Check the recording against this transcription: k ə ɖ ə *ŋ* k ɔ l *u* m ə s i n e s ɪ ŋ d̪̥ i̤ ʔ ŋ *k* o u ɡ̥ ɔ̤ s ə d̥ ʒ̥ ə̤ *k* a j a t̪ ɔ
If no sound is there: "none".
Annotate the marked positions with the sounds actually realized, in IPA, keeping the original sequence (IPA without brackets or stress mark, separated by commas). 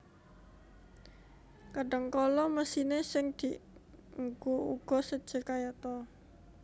ŋ, ɔ, ɡ, k